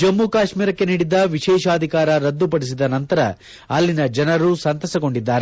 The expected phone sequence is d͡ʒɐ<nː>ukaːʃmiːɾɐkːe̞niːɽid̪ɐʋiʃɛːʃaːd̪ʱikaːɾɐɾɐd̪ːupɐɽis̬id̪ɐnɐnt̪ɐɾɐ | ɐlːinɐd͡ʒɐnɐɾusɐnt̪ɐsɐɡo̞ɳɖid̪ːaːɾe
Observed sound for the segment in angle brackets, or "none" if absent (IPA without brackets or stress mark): mː